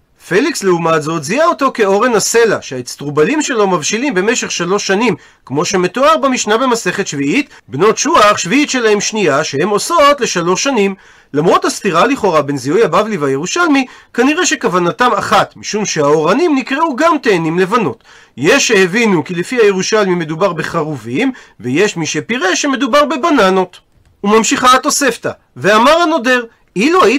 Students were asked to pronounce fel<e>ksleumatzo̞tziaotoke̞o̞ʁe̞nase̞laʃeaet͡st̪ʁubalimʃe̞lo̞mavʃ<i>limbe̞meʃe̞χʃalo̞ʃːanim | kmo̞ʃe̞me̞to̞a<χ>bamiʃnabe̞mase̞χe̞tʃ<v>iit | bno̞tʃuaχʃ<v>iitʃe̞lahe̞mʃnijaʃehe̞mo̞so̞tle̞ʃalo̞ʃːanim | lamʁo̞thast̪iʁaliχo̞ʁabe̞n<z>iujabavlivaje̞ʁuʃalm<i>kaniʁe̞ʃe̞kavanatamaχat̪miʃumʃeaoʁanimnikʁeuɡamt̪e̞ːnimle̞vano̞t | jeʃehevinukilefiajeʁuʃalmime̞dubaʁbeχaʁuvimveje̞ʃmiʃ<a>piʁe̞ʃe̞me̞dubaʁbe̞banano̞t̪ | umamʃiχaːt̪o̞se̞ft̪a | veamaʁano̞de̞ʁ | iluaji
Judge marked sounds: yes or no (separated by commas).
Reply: no, yes, no, yes, yes, yes, yes, no